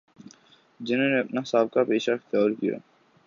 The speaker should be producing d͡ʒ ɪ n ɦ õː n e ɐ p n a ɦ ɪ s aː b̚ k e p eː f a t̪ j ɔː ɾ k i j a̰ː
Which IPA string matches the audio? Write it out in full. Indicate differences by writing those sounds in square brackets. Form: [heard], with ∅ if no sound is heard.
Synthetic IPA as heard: d͡ʒ ɪ n ɦ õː n e ɐ p n a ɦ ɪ s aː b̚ k [a] p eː [ʃ] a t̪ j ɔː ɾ k i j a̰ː